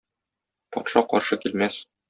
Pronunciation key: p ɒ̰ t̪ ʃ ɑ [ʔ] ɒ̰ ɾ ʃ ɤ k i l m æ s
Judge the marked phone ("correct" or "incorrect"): incorrect